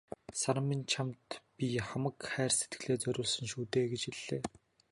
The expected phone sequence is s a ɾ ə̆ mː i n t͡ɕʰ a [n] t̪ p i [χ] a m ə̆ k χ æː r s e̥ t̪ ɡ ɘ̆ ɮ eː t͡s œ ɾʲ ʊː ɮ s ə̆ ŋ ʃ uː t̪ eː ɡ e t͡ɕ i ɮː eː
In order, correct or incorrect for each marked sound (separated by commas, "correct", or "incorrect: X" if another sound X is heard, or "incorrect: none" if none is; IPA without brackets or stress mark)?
incorrect: m, correct